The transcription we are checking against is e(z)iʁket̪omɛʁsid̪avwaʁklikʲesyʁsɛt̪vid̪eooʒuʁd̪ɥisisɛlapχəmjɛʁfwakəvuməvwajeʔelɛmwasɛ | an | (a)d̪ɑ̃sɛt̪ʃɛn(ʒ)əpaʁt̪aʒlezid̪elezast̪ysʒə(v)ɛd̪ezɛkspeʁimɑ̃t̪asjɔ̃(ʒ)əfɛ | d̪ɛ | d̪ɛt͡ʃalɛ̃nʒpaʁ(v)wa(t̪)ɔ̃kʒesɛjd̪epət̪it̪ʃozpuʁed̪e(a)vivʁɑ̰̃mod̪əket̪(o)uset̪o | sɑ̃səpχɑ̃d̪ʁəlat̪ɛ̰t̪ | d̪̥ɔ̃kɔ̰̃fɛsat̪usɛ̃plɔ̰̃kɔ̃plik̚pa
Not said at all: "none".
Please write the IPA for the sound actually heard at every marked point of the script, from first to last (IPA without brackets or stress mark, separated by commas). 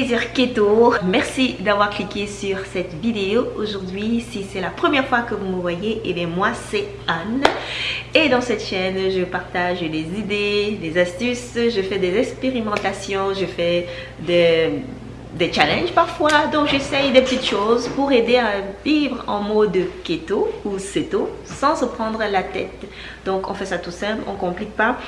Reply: z, e, ʒ, f, ʒ, f, d̪, a, o